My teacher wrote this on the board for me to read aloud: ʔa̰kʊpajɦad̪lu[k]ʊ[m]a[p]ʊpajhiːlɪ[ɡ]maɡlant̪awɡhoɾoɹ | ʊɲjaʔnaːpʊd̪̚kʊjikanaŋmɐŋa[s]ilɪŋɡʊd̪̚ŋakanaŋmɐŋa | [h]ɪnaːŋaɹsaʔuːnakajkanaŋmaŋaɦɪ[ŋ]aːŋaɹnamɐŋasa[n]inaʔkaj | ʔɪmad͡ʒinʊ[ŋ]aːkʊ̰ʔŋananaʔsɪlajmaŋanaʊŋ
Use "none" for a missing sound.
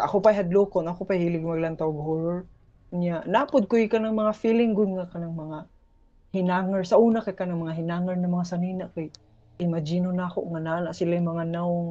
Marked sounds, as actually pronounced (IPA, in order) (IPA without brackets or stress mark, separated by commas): k, n, k, ɡ, f, h, n, n, n